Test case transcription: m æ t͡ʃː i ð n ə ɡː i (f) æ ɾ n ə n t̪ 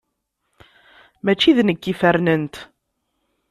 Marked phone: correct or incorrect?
correct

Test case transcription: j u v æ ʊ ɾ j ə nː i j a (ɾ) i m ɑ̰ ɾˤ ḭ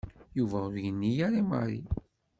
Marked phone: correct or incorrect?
correct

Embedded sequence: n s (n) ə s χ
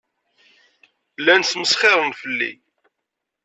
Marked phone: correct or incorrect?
incorrect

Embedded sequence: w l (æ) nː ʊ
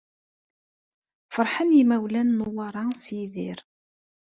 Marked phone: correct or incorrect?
correct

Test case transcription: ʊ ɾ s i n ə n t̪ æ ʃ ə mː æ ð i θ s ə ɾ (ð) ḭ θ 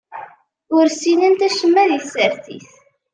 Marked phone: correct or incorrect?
incorrect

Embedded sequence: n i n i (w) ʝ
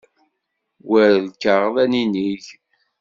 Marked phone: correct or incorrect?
incorrect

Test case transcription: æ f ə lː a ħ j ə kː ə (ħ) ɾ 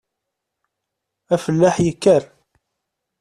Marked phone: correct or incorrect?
incorrect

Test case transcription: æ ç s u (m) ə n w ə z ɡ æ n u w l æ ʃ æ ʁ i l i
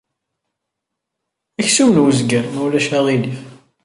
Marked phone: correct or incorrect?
correct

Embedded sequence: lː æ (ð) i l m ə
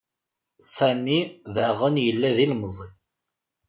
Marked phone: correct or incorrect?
correct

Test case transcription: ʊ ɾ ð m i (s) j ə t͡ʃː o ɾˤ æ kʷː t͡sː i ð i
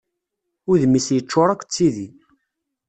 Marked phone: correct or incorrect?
correct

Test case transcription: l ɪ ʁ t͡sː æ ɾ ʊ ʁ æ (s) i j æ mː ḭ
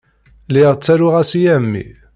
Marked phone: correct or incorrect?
correct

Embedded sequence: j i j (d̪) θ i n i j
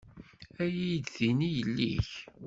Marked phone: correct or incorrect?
correct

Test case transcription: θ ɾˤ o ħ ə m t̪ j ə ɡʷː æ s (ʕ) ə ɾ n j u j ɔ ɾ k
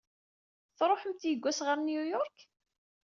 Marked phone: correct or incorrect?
incorrect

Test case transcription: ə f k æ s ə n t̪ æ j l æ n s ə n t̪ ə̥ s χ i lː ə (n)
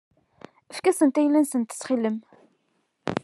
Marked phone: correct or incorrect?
incorrect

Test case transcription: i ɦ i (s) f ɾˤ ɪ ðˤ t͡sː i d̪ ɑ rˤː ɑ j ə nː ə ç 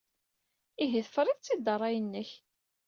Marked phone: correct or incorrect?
incorrect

